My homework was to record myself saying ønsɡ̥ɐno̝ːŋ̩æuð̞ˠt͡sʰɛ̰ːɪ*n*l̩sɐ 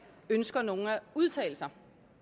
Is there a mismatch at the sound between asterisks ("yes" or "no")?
yes